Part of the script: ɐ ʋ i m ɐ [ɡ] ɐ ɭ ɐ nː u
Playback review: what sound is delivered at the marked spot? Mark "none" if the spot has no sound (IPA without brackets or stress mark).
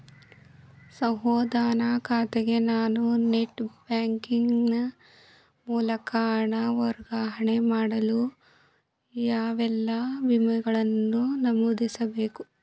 ɡ